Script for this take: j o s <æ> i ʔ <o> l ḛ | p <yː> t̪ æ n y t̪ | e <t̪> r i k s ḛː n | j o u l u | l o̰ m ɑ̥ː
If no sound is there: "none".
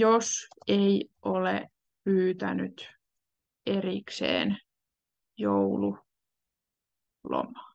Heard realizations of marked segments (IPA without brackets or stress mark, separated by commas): e, o, yː, none